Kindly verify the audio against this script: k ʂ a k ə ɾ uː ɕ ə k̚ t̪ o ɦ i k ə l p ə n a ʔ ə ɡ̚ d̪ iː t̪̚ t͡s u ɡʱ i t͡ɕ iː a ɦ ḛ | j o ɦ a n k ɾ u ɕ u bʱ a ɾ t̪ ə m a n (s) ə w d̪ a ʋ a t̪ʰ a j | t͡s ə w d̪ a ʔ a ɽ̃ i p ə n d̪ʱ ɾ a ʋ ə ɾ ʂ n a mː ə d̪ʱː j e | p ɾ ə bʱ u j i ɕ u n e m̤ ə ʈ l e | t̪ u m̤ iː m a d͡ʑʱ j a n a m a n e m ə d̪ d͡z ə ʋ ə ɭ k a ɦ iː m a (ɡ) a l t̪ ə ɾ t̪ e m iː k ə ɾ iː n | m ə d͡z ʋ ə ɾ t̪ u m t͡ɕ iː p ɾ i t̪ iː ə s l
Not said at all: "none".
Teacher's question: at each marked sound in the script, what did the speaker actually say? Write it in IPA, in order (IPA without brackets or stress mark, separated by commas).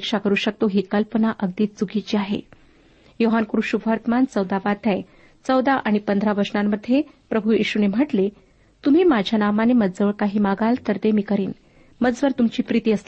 t͡s, ɡ